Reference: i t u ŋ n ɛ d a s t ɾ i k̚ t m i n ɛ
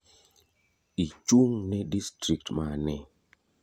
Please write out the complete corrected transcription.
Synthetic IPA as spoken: i t͡ʃ u ŋ n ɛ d i s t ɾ i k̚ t m a n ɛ